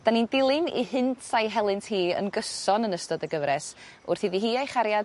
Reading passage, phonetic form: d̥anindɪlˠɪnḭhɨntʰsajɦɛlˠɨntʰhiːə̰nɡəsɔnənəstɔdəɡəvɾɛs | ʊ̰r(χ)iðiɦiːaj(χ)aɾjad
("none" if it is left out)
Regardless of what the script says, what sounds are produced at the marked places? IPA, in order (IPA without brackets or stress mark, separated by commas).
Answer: θ, χ